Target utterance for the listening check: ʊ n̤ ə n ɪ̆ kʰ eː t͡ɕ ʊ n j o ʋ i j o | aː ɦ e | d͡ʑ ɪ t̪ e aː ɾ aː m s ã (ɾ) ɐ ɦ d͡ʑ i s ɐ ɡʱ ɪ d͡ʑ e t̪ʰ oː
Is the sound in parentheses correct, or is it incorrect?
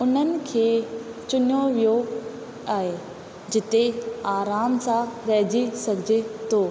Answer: correct